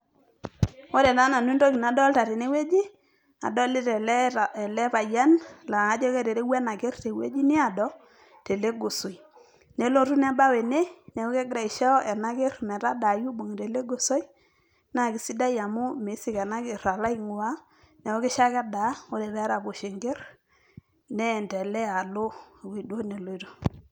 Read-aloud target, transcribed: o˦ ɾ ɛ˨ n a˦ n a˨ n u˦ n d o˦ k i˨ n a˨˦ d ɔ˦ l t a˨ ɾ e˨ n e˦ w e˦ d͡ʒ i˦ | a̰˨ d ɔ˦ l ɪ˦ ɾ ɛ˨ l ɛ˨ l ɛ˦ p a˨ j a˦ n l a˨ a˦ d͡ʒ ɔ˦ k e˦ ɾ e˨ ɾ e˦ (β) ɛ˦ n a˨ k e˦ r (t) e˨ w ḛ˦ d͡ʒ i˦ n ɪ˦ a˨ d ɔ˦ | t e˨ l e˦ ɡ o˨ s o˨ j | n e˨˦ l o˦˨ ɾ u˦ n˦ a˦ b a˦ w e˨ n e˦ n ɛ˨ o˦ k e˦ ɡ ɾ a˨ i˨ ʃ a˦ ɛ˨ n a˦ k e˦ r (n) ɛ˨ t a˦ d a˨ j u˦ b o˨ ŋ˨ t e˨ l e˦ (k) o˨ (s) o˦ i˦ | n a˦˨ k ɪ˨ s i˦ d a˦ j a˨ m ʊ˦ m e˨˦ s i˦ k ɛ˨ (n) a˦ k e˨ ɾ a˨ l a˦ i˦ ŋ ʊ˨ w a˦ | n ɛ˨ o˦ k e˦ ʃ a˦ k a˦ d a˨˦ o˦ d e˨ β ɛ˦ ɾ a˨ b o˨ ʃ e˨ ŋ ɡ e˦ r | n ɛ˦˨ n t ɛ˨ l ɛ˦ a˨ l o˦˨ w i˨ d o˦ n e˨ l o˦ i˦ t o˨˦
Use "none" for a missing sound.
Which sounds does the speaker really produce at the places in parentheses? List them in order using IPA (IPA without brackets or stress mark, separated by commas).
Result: w, t, m, ɡ, s, n